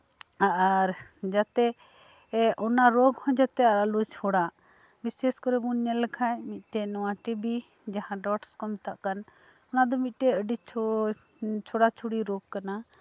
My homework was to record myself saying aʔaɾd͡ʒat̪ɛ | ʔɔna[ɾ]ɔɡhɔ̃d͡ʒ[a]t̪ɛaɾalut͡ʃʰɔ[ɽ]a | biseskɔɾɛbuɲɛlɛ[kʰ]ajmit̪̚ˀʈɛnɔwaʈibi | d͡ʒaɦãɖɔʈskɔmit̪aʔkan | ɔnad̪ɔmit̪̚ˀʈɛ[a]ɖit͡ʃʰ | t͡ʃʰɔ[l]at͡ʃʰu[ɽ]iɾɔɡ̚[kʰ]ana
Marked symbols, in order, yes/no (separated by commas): yes, yes, yes, yes, no, no, yes, no